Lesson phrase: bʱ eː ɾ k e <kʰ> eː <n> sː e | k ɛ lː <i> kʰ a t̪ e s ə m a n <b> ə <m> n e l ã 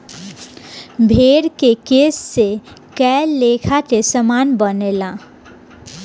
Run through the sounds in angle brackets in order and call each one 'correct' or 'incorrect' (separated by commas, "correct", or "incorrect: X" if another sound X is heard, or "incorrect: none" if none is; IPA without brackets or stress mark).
incorrect: k, incorrect: none, incorrect: e, correct, incorrect: none